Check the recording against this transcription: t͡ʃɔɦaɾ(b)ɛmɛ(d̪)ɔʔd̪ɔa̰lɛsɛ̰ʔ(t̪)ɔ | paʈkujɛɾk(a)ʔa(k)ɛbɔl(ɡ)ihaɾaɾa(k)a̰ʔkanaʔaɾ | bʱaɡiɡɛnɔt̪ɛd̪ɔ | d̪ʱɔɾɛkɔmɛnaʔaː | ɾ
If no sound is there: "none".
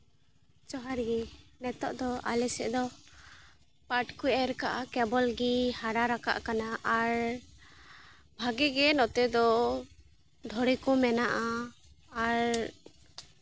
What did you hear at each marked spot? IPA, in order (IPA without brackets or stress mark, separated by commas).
ɡ, t̪, d̪, a, k, ɡ, k